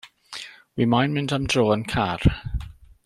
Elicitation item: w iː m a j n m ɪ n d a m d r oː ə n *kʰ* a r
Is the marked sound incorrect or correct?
correct